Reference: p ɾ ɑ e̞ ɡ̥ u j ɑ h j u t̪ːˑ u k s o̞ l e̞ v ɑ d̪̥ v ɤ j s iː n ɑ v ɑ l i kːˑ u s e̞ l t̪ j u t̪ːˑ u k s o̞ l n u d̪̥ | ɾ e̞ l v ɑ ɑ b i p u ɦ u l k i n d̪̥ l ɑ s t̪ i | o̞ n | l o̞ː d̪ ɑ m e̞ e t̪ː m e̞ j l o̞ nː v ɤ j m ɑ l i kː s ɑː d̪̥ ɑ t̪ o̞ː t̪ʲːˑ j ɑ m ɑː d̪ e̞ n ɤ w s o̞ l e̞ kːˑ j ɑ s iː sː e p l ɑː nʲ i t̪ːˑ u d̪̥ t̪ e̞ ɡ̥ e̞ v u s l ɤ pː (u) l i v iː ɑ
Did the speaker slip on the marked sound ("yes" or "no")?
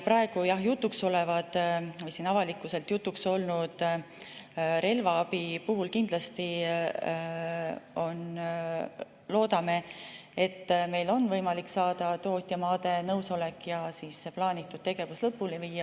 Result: no